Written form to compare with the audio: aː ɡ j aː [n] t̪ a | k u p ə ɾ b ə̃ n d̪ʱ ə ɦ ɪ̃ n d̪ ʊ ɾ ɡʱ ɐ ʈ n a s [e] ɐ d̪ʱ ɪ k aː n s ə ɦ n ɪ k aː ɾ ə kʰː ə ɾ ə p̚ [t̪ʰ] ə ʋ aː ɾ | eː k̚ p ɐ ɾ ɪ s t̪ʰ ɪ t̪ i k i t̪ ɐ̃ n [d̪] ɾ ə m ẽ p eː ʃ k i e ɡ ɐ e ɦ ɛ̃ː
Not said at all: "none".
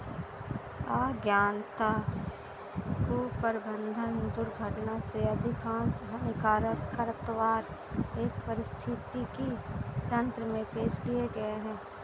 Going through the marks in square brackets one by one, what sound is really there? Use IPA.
n, e, t̪, t̪

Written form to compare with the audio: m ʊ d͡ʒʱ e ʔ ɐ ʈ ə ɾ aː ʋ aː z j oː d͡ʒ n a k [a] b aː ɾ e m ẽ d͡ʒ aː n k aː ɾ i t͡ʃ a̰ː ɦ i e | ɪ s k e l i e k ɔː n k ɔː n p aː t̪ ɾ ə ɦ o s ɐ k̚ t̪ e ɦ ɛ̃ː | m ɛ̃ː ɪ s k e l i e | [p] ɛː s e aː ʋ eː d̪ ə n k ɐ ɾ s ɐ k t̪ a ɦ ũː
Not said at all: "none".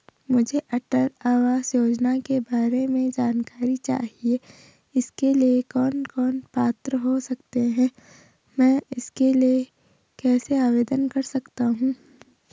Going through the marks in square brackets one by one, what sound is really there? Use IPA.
e, k

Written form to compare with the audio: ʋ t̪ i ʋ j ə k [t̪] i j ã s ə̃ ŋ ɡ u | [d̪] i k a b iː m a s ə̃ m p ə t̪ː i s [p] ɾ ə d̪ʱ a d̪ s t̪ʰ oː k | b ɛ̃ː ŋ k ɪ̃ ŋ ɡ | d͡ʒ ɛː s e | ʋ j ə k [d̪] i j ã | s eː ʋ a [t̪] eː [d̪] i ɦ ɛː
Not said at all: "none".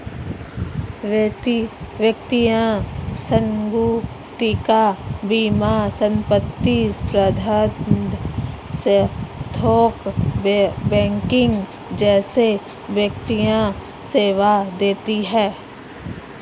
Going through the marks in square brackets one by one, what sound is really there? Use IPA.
t̪, t̪, p, t̪, d̪, t̪

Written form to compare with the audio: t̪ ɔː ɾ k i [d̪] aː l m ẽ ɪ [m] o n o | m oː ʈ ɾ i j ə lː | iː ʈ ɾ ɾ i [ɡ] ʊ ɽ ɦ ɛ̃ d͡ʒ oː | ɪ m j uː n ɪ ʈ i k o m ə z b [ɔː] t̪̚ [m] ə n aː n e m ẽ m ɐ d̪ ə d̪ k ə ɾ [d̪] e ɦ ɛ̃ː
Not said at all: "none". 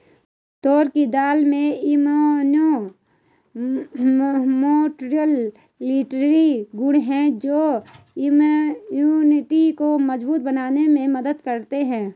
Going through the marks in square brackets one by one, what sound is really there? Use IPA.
d̪, m, ɡ, uː, b, t̪

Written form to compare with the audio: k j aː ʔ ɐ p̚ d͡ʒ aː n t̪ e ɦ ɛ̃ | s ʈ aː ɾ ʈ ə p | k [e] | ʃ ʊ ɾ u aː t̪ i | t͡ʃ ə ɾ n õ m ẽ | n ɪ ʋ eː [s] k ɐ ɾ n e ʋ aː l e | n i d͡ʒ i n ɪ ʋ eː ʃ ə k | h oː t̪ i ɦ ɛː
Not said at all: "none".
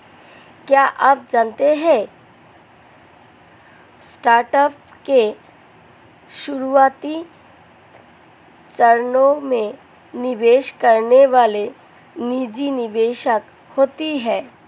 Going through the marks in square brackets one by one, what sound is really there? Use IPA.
e, ʃ

